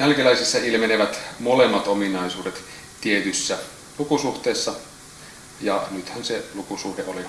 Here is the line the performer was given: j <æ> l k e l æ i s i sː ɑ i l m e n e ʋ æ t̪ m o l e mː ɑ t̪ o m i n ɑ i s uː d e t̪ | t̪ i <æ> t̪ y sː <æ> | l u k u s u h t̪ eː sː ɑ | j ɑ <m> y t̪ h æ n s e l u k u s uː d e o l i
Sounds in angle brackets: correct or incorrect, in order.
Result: correct, incorrect: e, correct, incorrect: n

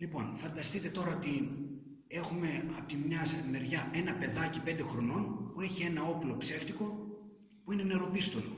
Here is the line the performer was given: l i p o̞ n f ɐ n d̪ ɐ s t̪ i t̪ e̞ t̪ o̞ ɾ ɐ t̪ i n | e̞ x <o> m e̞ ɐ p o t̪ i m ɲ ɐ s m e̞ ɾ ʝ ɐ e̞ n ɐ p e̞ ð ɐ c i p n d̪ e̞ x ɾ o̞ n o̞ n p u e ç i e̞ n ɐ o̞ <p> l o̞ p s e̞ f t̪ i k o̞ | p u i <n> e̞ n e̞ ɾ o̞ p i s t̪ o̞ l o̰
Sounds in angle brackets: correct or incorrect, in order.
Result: incorrect: u, correct, correct

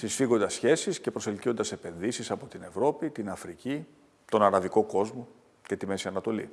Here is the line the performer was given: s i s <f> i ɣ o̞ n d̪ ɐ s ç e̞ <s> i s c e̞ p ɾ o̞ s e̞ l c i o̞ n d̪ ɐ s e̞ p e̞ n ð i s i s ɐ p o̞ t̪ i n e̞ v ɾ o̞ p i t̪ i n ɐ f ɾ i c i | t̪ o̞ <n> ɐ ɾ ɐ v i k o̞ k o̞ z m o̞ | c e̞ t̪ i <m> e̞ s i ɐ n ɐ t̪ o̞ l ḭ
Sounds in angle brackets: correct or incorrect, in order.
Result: correct, correct, correct, correct

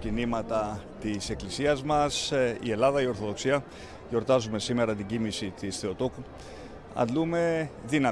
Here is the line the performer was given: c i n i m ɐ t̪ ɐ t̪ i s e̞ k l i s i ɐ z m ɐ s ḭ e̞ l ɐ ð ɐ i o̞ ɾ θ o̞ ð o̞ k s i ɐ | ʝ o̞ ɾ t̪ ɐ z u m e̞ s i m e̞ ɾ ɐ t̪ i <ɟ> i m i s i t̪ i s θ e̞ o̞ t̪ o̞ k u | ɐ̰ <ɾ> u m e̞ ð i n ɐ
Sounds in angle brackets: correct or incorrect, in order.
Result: correct, incorrect: l

